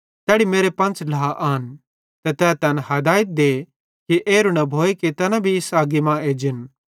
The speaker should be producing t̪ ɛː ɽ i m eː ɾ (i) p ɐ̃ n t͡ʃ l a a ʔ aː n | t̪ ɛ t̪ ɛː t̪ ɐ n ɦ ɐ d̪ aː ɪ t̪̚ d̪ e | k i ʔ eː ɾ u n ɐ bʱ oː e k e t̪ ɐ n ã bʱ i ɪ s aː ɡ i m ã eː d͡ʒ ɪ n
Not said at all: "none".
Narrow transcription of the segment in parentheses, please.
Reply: e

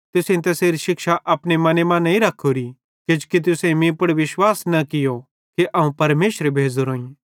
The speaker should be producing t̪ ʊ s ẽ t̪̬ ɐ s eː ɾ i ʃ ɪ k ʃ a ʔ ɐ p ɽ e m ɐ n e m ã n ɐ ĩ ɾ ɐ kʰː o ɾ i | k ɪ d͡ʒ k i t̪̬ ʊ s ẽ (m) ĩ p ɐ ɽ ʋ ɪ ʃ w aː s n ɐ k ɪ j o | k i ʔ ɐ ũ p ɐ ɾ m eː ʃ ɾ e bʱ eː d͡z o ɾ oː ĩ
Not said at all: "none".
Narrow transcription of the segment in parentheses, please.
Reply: m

